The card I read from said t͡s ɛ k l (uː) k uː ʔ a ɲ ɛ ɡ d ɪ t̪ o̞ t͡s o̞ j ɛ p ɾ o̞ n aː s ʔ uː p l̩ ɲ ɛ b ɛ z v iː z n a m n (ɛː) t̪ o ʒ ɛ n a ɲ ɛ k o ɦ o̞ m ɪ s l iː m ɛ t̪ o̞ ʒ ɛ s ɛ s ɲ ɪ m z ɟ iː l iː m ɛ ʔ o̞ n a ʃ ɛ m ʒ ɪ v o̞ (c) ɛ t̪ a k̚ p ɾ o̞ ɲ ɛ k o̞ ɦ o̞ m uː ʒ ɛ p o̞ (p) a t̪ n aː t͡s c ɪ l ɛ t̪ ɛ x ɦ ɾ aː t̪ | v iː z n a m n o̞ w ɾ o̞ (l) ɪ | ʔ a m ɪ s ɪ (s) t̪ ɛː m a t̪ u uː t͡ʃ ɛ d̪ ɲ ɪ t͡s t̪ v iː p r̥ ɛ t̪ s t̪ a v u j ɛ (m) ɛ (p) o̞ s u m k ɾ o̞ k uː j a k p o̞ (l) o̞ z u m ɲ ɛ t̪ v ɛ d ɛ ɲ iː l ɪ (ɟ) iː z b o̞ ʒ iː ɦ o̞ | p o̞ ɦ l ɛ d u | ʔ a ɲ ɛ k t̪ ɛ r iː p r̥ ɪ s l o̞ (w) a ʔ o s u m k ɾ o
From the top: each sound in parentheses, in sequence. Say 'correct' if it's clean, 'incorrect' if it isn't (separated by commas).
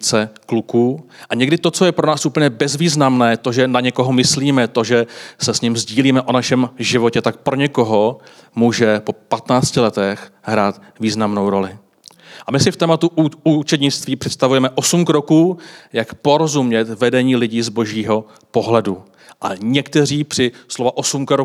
incorrect, correct, correct, correct, correct, incorrect, correct, incorrect, incorrect, correct, incorrect